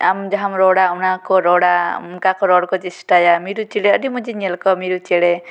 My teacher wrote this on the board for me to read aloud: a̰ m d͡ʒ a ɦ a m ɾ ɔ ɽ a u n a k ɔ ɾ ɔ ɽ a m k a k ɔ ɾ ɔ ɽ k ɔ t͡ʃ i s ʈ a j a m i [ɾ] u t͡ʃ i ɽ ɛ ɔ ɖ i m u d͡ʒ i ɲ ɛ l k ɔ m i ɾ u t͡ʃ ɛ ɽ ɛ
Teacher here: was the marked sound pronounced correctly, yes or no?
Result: yes